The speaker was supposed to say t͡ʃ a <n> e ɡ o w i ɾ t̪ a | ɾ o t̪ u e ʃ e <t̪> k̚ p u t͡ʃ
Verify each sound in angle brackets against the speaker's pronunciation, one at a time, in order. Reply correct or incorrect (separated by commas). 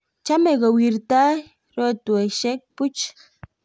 incorrect, incorrect